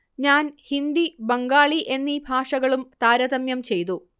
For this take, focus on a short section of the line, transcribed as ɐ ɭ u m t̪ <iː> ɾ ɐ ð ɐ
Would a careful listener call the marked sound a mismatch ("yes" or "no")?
yes